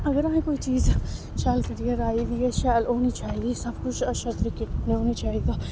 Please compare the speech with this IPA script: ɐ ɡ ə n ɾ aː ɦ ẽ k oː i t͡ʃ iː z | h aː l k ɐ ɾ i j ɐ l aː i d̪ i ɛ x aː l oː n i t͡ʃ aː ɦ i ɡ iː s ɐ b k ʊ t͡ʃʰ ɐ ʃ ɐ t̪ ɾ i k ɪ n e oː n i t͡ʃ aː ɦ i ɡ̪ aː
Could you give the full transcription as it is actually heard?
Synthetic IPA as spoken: ɐ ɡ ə ɾ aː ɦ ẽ k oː i t͡ʃ iː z | ʃ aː l k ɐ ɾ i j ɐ ɾ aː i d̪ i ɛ ʃ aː l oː n i t͡ʃ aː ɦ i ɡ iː s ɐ b k ʊ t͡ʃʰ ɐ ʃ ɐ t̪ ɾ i k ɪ n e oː n i t͡ʃ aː ɦ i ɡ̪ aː